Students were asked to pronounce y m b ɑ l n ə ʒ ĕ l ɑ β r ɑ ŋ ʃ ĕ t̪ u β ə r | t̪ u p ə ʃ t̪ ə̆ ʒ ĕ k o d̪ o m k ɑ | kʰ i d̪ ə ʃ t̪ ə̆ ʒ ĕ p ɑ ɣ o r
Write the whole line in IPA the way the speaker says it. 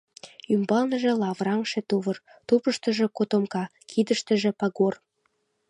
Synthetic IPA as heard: y m b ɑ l n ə ʒ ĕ l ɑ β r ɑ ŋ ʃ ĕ t̪ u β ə r | t̪ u p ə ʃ t̪ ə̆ ʒ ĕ k o t̪ o m k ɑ | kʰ i d̪ ə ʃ t̪ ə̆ ʒ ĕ p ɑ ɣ o r